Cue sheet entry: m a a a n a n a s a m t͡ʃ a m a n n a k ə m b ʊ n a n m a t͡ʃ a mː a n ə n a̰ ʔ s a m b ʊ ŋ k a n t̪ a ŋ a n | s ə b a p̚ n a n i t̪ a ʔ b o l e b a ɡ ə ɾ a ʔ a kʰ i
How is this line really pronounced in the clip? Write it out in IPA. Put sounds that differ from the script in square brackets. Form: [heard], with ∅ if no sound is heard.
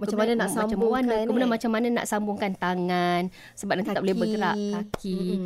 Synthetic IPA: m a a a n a n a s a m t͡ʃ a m a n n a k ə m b [u] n a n m a t͡ʃ a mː a n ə n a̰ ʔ s a m b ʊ ŋ k a n t̪ a ŋ a n | s ə b a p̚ n a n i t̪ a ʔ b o l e b [ə] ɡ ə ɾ a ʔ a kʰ i